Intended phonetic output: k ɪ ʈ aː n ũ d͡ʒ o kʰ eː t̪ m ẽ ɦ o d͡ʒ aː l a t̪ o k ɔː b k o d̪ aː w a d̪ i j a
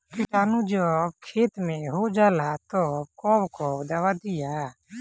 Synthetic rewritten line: k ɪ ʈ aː n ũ d͡ʒ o kʰ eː t̪ m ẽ ɦ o d͡ʒ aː l a t̪ o k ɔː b k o d̪ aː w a d̪ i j a